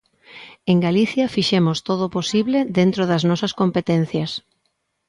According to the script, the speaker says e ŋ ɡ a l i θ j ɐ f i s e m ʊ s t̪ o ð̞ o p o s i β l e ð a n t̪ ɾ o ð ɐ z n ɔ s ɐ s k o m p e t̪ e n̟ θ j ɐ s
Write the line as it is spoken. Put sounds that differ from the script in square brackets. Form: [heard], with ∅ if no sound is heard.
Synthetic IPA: e ŋ ɡ a l i θ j ɐ f i [ʃ] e m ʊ s t̪ o ð̞ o p o s i β l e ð [e] n t̪ ɾ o ð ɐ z n ɔ s ɐ s k o m p e t̪ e n̟ θ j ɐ s

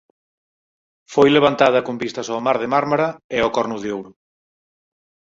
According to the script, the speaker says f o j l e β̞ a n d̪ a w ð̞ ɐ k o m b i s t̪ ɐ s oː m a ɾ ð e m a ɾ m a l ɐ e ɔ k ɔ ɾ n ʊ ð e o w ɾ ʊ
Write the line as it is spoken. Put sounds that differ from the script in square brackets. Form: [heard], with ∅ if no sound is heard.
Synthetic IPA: f o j l e β̞ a n [t̪] a [∅] ð̞ ɐ k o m b i s t̪ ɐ s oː m a ɾ ð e m a ɾ m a [ɾ] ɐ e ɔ k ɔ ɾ n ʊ ð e o w ɾ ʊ

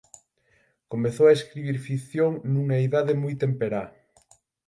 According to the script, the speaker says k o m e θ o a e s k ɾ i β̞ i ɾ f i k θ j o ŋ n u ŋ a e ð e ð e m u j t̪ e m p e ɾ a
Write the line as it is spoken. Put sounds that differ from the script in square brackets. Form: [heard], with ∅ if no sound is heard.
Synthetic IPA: k o m e θ o a e s k ɾ i β̞ i ɾ f i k θ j o ŋ n u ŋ a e ð [a] ð e m u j t̪ e m p e ɾ a

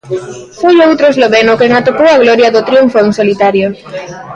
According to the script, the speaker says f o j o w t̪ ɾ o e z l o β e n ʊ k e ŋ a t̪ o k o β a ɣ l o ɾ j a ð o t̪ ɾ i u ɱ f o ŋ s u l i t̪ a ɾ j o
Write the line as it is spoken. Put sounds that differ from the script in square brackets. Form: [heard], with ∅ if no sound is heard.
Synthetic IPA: f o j o w t̪ ɾ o e z l o β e n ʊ k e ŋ a t̪ o k o [w] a ɣ l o ɾ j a ð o t̪ ɾ i u ɱ f o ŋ s [o] l i t̪ a ɾ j o

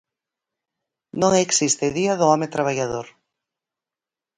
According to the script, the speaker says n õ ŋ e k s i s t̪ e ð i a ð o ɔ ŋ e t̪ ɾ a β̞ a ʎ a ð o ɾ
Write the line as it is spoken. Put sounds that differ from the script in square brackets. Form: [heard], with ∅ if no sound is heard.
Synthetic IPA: n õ ŋ e k s i s t̪ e ð i a ð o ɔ [m] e t̪ ɾ a β̞ a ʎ a ð o ɾ

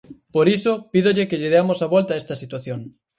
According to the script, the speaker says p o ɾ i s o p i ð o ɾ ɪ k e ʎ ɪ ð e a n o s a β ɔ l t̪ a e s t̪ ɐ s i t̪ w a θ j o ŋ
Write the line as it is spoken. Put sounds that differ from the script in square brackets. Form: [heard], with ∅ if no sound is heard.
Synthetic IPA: p o ɾ i s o p i ð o [ʎ] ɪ k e ʎ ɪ ð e a [m] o s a β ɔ l t̪ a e s t̪ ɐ s i t̪ w a θ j o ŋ

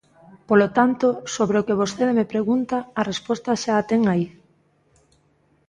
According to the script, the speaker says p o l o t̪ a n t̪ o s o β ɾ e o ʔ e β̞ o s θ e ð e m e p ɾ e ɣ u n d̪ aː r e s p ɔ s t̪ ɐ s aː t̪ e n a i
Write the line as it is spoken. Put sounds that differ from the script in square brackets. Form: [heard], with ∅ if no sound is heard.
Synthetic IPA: p o l o t̪ a n t̪ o s o β ɾ e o [k] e β̞ o s θ e ð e m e p ɾ e ɣ u n [t̪] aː r e s p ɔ s t̪ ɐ [ʃ] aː t̪ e [ŋ] a i

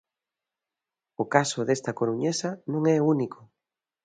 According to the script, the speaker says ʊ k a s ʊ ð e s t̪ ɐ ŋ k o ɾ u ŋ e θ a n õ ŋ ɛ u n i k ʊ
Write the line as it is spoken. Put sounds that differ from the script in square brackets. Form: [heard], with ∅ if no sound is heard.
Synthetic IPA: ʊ k a s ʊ ð e s t̪ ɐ [∅] k o ɾ u [ɲ] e [s] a n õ ŋ ɛ u n i k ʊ

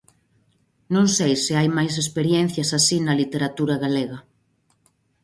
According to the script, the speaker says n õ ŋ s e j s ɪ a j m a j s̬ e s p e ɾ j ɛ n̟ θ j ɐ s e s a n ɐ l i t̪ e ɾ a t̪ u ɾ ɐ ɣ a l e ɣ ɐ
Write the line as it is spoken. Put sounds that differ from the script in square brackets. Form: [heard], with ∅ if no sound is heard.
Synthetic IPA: n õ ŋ s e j s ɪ a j m a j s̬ e s p e ɾ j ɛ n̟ θ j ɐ s [a] s [i] n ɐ l i t̪ e ɾ a t̪ u ɾ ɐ ɣ a l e ɣ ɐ

